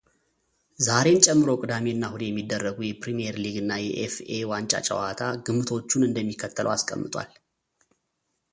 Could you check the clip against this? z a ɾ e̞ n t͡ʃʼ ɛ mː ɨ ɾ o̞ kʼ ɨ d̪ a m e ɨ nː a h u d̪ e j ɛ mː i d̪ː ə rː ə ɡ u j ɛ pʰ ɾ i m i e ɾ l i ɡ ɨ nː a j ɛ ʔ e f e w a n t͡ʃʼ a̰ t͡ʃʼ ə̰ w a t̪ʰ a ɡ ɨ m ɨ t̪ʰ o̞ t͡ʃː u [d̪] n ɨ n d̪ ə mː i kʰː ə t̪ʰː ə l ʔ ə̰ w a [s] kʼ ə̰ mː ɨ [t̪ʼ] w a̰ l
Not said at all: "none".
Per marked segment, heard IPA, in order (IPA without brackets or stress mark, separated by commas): none, s, t̪ʼ